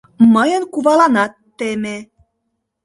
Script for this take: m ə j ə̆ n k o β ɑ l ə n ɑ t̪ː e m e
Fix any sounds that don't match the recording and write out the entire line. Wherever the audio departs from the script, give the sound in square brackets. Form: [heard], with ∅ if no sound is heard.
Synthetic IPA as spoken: m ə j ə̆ n k [u] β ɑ l [ɑ] n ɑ t̪ː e m e